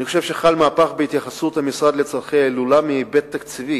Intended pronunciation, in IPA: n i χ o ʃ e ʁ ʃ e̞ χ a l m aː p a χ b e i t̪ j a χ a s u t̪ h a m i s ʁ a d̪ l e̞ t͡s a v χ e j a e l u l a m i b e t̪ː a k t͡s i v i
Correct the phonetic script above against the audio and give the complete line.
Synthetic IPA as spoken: n i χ o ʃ e v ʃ e̞ χ a l m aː p a χ b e i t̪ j a χ a s u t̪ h a m i s ʁ a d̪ l e̞ t͡s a ʁ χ e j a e l u l a m i b e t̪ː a k t͡s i v i